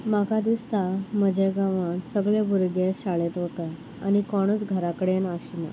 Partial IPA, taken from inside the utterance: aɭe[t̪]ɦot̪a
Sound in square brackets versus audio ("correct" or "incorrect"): correct